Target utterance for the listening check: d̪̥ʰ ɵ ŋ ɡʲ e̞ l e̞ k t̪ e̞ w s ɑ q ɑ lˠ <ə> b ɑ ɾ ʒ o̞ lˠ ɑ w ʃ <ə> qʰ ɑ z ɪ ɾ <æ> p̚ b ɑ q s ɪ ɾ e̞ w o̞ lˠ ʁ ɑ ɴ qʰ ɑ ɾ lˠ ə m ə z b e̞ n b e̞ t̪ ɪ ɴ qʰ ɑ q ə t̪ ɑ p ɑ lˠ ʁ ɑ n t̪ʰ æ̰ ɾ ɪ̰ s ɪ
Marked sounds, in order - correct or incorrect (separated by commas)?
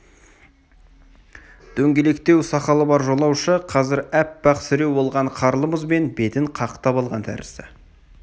correct, correct, correct